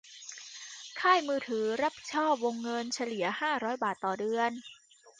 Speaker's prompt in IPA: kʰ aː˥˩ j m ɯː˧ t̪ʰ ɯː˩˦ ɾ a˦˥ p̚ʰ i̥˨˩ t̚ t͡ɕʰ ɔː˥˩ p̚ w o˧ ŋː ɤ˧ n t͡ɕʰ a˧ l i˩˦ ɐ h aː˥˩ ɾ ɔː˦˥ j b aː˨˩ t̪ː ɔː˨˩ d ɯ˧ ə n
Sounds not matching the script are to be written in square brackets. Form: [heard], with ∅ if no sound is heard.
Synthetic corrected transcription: kʰ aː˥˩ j m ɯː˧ t̪ʰ ɯː˩˦ ɾ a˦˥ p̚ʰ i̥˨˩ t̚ t͡ɕʰ ɔː˥˩ p̚ w o˧ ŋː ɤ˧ n t͡ɕʰ a˧ l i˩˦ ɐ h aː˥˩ ɾ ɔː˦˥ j b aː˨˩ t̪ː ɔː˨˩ d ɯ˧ ə n